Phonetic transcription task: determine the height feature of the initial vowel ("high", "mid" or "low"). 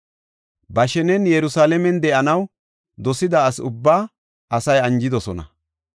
low